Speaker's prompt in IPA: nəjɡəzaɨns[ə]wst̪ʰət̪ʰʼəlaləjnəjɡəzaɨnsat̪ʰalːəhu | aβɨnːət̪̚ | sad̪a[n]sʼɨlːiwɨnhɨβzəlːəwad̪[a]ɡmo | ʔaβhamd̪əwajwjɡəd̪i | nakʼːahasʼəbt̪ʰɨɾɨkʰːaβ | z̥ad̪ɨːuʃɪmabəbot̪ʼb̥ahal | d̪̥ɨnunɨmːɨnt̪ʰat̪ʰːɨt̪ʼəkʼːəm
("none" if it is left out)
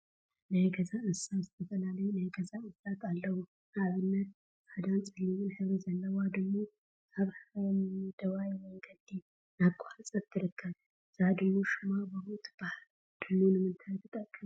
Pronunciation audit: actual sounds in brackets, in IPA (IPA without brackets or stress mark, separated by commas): a, n, ə